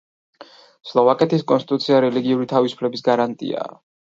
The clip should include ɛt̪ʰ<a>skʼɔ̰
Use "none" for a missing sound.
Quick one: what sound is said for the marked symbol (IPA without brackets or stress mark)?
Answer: i